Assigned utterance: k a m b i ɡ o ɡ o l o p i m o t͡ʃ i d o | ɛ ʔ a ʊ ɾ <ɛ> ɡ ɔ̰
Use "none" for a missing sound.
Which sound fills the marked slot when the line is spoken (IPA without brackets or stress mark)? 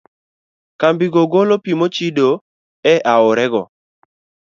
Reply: ɛ